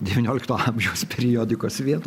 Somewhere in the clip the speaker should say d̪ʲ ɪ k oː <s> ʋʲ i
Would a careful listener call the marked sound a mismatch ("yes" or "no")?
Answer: no